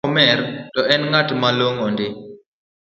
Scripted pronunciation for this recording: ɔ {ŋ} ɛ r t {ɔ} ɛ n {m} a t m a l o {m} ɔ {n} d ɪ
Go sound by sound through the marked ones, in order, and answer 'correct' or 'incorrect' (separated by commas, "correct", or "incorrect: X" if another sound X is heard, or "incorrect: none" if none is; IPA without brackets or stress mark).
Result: incorrect: m, correct, incorrect: ŋ, incorrect: ŋ, correct